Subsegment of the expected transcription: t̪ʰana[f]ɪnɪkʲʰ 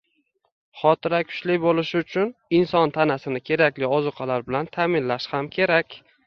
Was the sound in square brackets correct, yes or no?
no